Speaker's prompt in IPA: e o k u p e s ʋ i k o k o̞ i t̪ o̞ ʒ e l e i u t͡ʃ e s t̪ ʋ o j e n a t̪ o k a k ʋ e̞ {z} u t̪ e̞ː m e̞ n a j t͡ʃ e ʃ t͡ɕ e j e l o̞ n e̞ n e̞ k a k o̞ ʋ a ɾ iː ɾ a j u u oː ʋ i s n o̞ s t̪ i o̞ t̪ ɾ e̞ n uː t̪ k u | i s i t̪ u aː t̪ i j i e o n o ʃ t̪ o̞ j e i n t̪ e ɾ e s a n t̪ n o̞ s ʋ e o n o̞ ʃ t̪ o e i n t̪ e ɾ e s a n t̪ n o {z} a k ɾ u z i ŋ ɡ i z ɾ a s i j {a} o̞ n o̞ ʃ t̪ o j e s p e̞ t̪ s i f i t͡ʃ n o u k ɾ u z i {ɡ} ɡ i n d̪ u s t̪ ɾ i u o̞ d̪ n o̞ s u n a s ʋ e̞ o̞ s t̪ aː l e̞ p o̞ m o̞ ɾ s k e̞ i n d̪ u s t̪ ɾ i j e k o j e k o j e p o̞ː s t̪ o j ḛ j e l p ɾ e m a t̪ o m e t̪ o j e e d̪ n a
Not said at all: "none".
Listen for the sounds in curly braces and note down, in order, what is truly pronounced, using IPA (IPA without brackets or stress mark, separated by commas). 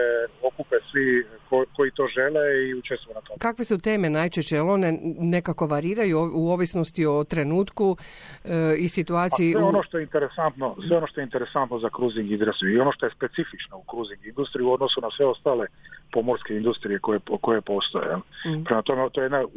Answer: s, z, i, ŋ